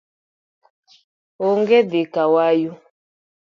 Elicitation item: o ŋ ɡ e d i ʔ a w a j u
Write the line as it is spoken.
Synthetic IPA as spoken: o ŋ ɡ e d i k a w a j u

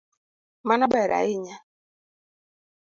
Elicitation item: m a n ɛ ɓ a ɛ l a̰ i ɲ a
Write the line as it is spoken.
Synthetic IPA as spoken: m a n a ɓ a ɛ ɾ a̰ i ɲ a

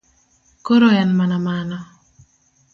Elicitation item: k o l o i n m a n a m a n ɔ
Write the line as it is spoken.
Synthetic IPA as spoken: k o ɾ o ɛ n m a n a m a n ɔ

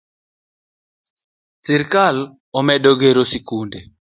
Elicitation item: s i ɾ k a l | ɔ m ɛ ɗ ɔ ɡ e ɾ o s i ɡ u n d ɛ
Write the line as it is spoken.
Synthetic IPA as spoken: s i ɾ k a l | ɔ m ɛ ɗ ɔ ɡ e ɾ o s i k u n d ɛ

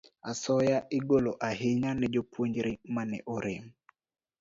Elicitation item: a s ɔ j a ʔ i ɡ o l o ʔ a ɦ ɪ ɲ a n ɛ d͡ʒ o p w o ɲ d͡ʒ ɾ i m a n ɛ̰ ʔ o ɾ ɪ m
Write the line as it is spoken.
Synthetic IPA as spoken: a s ɔ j a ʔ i ɡ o l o ʔ a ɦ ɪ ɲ a n ɛ d͡ʒ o p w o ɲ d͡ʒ ɾ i m a n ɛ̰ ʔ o ɾ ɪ m

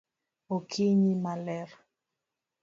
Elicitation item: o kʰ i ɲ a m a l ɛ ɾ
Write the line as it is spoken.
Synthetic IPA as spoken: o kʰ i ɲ i m a l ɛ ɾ

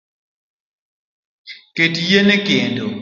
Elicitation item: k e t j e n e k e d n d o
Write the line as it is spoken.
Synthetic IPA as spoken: k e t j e n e k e n d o

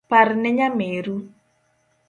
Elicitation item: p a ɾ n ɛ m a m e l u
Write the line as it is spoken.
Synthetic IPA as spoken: p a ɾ n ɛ ɲ a m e ɾ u

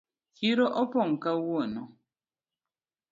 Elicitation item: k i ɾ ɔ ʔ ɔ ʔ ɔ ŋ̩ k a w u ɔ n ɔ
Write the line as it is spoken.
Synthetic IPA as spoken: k i ɾ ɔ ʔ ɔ p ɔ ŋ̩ k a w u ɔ n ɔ

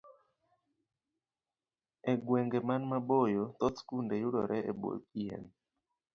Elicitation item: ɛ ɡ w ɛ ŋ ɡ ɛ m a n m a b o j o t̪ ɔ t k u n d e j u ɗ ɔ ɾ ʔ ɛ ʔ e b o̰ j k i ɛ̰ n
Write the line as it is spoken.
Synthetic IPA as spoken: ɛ ɡ w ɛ ŋ ɡ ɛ m a n m a b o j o t̪ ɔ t k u n d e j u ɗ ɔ ɾ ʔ ɛ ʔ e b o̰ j k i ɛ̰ n

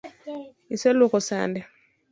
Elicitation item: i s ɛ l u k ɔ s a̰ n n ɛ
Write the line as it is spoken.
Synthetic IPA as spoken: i s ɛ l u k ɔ s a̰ n d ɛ

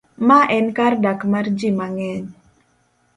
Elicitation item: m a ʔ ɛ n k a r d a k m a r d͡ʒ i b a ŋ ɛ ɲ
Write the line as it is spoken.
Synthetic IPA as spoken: m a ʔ ɛ n k a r d a k m a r d͡ʒ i m a ŋ ɛ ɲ

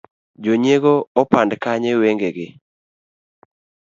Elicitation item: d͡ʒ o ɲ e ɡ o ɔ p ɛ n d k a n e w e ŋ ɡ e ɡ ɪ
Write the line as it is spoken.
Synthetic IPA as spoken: d͡ʒ o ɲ e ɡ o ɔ p a n d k a ɲ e w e ŋ ɡ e ɡ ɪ

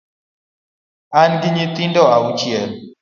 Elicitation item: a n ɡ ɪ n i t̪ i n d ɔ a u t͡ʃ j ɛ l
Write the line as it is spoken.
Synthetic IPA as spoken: a n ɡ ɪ ɲ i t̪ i n d ɔ a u t͡ʃ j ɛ l

